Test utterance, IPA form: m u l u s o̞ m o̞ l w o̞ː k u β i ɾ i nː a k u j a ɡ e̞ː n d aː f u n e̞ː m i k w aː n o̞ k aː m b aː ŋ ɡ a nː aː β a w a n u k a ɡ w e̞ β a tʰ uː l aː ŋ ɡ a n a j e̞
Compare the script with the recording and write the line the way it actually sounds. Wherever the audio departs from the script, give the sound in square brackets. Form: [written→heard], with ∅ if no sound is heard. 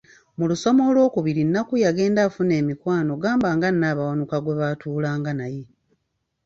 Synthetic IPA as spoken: m u l u s o̞ m o̞ l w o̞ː k u β i ɾ i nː a k u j a ɡ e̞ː n d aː f u n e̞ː m i k w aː n o̞ [k→ɡ] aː m b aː ŋ ɡ a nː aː β a w a n u k a ɡ w e̞ β a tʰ uː l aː ŋ ɡ a n a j e̞

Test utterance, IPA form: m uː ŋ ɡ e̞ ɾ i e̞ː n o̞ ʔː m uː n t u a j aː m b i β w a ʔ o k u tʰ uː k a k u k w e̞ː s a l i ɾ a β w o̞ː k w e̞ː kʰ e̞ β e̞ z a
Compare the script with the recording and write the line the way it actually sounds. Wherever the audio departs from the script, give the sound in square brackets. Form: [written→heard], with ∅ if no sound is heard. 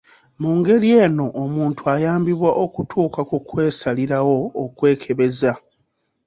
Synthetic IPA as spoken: m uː ŋ ɡ e̞ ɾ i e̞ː n o̞ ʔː m uː n t u a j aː m b i β w a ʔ o k u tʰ uː k a k u k w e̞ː s a l i ɾ a [β→∅] w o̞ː k w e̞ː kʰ e̞ β e̞ z a

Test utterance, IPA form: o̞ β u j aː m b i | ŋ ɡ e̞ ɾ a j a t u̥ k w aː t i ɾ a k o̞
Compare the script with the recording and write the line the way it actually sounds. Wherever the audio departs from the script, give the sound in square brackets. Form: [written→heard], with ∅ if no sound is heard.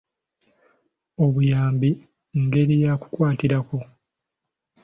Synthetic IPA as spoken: o̞ β u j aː m b i | ŋ ɡ e̞ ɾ [a→i] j a [t→k] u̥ k w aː t i ɾ a k o̞

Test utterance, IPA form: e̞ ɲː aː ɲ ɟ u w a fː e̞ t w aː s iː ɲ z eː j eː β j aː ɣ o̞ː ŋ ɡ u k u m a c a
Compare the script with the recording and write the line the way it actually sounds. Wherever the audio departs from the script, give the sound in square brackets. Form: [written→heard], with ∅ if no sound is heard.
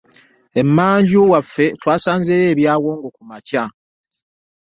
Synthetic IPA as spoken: e̞ [ɲː→mː] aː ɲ ɟ u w a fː e̞ t w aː s [iː→aː] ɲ z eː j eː β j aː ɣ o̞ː ŋ ɡ [u→o] k u m a c a

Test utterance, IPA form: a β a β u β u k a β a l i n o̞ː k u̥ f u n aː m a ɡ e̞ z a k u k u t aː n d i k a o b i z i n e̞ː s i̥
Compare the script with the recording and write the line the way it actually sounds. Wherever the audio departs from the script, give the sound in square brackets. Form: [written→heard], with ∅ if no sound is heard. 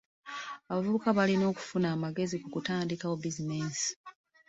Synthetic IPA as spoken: a β a [β→v] u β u k a β a l i n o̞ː k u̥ f u n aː m a ɡ e̞ z [a→i] k u k u t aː n d i k a o b i z i n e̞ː s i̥

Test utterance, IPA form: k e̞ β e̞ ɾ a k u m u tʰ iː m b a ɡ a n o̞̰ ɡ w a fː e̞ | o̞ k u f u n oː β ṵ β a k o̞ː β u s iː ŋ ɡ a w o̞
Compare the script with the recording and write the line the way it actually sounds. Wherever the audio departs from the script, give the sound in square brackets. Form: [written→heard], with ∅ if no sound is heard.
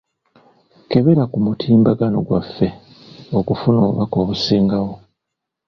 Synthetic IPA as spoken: k e̞ β e̞ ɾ a k u m u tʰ iː m b a ɡ a n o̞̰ ɡ w a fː e̞ | o̞ k u f u n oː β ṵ β a k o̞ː β u s iː ŋ ɡ a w o̞

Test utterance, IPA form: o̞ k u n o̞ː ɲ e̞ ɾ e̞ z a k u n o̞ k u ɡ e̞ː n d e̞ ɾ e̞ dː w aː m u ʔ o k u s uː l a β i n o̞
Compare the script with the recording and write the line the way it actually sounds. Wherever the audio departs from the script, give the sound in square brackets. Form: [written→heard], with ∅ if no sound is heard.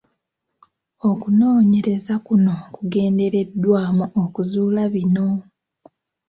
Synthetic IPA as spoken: o̞ k u n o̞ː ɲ e̞ ɾ e̞ z a k u n o̞ k u ɡ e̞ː n d e̞ ɾ e̞ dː w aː m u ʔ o k u [s→z] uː l a β i n o̞

